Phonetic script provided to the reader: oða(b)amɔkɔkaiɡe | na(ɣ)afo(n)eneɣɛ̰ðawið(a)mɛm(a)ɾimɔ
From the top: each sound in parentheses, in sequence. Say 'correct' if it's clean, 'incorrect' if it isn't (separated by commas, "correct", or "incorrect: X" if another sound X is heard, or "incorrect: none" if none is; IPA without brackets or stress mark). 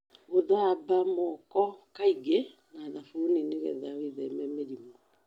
correct, incorrect: ð, correct, incorrect: ɛ, incorrect: e